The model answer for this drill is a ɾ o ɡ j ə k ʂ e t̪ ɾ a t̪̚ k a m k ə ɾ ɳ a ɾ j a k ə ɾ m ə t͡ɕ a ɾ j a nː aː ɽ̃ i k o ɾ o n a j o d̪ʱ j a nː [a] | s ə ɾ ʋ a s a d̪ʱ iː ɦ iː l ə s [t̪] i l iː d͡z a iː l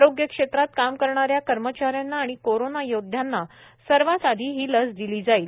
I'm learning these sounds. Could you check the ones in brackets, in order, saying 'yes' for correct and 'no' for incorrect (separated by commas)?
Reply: yes, no